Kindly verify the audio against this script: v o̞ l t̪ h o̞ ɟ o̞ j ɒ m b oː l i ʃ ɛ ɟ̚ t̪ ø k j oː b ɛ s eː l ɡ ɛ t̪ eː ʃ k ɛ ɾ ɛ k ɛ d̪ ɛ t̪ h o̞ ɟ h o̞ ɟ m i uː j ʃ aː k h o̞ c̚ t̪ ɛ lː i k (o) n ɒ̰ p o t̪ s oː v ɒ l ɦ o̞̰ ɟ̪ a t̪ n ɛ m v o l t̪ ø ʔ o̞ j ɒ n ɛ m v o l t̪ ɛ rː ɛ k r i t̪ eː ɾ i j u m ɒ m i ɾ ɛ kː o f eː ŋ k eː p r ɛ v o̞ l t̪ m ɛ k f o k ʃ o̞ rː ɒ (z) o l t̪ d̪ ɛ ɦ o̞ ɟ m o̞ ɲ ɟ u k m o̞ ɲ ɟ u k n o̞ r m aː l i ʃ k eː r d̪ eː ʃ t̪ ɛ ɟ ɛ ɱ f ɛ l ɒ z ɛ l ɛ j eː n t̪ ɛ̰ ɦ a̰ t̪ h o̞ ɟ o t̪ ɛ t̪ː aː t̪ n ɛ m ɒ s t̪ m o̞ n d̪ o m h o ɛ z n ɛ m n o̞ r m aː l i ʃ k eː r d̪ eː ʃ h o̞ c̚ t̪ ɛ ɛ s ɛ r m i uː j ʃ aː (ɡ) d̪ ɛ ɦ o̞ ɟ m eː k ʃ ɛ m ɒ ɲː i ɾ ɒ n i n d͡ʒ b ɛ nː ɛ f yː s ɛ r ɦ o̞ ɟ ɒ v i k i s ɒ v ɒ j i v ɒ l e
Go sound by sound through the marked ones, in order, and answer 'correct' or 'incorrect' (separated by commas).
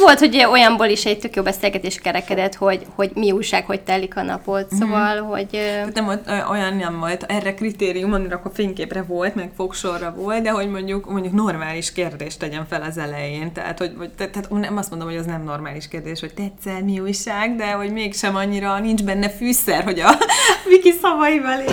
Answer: incorrect, incorrect, correct